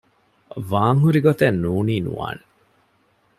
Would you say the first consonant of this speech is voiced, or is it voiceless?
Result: voiced